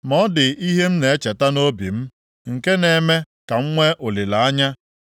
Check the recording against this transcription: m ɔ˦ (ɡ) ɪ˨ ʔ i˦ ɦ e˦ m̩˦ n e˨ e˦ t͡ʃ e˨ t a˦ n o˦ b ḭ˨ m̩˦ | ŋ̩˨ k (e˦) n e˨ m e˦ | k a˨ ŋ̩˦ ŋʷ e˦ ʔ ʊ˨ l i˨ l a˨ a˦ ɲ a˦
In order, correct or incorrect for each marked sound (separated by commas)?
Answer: incorrect, correct